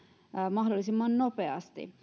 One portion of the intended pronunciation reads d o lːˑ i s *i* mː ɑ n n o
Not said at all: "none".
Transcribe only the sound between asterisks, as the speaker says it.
i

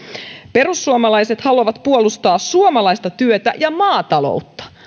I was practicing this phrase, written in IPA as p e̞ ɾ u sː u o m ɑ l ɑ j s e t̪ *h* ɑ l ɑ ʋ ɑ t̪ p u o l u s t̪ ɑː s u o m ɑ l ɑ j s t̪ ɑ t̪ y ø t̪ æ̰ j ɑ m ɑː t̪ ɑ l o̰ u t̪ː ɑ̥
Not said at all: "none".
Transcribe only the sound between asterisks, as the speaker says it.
h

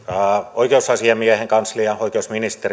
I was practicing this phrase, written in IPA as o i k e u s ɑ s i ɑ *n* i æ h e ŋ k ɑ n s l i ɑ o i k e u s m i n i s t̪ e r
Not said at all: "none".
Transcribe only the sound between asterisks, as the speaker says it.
m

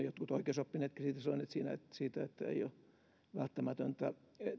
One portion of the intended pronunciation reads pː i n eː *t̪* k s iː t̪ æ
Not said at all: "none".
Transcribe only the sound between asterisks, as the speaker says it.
t̪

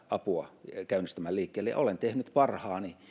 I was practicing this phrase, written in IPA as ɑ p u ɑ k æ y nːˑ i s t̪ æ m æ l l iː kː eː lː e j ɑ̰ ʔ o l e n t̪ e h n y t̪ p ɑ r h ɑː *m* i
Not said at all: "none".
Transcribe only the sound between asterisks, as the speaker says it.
n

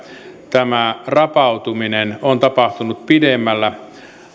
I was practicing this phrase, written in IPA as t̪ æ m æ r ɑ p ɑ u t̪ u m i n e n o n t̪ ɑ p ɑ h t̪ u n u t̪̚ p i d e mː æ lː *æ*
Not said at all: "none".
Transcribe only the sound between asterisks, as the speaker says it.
æ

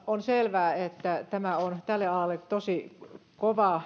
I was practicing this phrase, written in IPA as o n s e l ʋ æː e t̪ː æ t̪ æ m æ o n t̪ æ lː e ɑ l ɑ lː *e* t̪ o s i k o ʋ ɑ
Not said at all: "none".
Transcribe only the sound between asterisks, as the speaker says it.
e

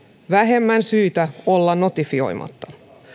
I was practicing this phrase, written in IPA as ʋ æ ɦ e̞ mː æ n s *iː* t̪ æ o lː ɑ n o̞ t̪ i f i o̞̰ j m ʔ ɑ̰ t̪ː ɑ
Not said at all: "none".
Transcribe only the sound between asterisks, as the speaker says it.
yː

